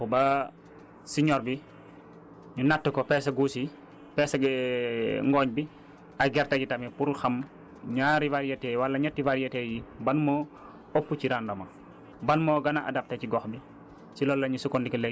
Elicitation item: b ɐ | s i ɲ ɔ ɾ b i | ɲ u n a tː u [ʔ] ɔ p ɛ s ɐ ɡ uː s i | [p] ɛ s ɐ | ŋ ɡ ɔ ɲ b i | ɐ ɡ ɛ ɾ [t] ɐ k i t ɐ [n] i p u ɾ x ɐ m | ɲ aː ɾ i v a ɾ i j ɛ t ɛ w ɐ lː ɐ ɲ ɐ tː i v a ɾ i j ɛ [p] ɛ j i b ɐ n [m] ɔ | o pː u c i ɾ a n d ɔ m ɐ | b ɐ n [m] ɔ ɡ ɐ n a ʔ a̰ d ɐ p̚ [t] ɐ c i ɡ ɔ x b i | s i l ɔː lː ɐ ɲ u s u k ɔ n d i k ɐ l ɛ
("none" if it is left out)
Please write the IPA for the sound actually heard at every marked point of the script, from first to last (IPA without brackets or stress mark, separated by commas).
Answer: k, p, t, m, t, m, m, t